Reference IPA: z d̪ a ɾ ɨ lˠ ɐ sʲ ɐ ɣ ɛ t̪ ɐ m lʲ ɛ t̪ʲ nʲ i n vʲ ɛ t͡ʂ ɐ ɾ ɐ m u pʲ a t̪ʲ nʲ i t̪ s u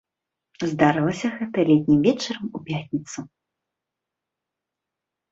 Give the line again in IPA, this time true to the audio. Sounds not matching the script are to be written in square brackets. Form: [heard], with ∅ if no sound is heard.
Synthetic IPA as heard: z d̪ a ɾ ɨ lˠ ɐ sʲ ɐ ɣ ɛ t̪ ɐ [∅] lʲ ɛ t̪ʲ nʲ i [m] vʲ ɛ t͡ʂ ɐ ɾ ɐ m u pʲ a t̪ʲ nʲ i t̪ s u

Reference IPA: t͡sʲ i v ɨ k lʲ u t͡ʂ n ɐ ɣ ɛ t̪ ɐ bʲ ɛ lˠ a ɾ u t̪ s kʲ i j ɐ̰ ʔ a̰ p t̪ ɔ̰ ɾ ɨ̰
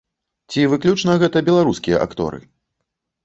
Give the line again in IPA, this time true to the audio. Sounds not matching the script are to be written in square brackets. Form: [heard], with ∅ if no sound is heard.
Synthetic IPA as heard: t͡sʲ i v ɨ k lʲ u t͡ʂ n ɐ ɣ ɛ t̪ ɐ bʲ ɛ lˠ a ɾ u [∅] s kʲ i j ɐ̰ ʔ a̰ [k] t̪ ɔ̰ ɾ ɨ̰

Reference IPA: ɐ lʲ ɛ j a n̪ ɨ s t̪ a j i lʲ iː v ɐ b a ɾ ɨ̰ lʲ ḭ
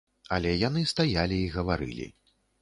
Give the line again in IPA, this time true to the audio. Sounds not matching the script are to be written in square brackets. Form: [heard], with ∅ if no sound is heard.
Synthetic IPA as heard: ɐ lʲ ɛ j a n̪ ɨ s t̪ a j [a] lʲ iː [ɣ] ɐ [v] a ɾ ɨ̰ lʲ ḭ

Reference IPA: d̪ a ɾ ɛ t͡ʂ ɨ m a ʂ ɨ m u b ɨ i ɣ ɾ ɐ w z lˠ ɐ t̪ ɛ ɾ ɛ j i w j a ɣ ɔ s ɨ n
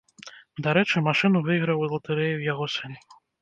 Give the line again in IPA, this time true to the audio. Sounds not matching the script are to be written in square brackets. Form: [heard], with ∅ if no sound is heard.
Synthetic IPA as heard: d̪ a ɾ ɛ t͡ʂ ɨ m a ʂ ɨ [n] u [v] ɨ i ɣ ɾ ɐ w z lˠ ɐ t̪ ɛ ɾ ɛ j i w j a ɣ ɔ s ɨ n

